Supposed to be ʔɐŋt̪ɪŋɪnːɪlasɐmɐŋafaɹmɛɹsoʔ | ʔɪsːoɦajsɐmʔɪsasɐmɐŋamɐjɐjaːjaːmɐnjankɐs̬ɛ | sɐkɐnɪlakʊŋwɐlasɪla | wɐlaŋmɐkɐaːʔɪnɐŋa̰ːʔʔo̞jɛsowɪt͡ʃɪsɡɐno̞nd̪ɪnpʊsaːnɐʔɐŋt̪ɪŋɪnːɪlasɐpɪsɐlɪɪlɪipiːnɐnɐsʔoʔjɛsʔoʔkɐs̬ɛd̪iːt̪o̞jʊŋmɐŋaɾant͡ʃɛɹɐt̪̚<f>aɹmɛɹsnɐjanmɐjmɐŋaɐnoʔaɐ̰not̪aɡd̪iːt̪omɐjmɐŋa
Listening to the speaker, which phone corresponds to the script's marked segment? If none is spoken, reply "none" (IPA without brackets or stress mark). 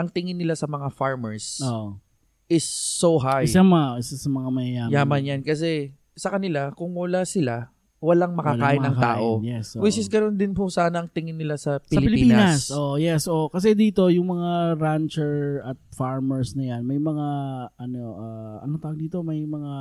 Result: f